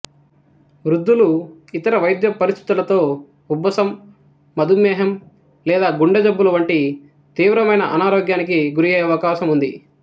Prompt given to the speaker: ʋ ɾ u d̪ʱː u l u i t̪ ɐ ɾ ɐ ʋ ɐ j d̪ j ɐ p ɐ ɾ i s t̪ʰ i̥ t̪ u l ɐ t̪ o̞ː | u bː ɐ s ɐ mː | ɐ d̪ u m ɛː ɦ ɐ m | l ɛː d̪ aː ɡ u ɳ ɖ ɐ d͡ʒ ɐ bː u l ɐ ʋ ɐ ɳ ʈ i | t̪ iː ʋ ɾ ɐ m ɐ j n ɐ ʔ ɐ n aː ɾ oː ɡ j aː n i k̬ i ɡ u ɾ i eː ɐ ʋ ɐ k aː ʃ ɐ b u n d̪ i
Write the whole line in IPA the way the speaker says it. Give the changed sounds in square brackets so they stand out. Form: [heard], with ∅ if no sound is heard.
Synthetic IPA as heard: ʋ ɾ u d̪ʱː u l u i t̪ ɐ ɾ ɐ ʋ ɐ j d̪ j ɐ p ɐ ɾ i s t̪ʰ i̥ t̪ u l ɐ t̪ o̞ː | u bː ɐ s ɐ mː | ɐ d̪ u m ɛː ɦ ɐ m | l ɛː d̪ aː ɡ u ɳ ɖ ɐ d͡ʒ ɐ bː u l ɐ ʋ ɐ ɳ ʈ i | t̪ iː ʋ ɾ ɐ m ɐ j n ɐ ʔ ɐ n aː ɾ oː ɡ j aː n i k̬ i ɡ u ɾ i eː ɐ ʋ ɐ k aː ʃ ɐ [m] u n d̪ i